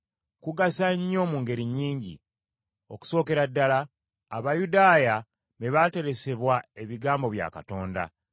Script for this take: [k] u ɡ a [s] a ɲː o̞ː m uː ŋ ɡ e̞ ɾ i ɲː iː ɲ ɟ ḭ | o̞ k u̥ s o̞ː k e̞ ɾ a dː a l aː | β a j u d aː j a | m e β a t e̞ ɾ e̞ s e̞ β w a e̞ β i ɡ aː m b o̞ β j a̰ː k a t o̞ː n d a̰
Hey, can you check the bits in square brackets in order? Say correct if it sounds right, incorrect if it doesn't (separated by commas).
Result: correct, correct